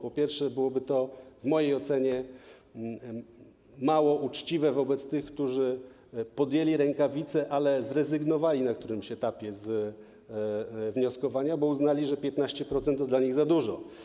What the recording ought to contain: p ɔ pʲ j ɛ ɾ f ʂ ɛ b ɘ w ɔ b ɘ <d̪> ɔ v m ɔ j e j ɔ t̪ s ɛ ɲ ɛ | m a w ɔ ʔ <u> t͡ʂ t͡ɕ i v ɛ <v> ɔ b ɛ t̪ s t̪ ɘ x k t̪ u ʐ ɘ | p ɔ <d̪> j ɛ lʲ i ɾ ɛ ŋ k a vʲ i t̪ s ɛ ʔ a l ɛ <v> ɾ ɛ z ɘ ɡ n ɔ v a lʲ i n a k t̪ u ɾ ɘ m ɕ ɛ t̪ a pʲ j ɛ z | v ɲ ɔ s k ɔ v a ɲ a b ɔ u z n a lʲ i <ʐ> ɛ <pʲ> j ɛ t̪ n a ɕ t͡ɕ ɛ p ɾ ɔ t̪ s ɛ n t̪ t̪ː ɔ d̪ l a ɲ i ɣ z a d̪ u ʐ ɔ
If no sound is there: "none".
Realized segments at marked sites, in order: t̪, u, v, d̪, z, ʐ, pʲ

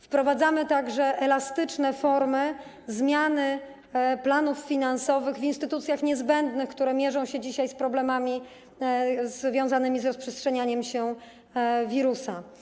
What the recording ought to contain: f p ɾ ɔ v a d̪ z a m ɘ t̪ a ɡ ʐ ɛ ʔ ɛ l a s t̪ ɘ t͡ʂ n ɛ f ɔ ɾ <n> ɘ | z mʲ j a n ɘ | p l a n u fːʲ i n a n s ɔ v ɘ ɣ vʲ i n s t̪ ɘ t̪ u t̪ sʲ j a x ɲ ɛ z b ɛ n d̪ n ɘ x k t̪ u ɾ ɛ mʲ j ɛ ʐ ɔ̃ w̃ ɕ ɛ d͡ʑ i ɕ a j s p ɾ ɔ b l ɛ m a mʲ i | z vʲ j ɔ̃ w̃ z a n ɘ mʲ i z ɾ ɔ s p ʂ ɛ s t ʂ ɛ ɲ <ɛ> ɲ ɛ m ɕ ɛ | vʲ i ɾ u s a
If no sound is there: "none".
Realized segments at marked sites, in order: m, a

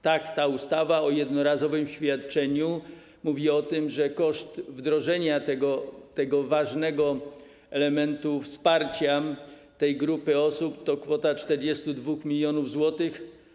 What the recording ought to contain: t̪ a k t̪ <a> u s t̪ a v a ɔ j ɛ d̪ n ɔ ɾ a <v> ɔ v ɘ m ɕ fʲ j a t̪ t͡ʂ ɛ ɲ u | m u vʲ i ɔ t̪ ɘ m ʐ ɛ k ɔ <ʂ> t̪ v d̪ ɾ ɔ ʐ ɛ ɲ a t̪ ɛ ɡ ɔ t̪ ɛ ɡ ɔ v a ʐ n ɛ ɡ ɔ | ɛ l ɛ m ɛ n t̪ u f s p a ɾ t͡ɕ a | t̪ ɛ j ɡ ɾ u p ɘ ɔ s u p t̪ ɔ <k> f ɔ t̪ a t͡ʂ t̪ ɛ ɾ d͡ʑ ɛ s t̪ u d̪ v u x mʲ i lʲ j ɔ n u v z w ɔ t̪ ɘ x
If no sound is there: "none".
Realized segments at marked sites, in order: a, z, ʂ, k

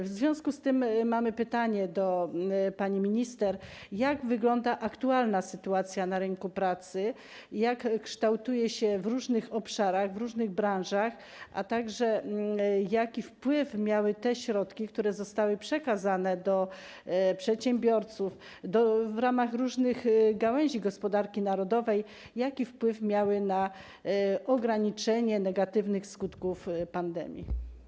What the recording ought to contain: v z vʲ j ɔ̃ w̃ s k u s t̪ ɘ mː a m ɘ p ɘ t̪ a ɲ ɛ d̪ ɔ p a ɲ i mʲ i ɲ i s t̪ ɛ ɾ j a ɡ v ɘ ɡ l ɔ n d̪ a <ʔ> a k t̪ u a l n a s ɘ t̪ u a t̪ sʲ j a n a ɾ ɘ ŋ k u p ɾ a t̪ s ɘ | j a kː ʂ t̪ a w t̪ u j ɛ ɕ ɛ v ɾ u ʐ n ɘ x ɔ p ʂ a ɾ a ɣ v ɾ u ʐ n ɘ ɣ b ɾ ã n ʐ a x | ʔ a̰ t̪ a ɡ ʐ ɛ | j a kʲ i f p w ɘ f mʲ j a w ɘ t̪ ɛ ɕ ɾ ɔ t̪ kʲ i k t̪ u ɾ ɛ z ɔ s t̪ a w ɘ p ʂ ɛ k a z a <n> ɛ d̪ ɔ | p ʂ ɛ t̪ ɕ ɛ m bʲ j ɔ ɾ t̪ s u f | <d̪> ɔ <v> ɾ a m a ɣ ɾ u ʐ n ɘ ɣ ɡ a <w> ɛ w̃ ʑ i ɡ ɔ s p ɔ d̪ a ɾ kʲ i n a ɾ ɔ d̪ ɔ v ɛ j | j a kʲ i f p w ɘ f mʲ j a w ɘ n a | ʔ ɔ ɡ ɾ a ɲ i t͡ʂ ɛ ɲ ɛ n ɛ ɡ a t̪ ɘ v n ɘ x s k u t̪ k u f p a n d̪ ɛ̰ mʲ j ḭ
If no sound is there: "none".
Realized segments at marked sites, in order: ʔ, n, d̪, v, w

